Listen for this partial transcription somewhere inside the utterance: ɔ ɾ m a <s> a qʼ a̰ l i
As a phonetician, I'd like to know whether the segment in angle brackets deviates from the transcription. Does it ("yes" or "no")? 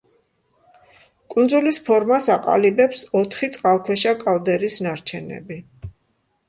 no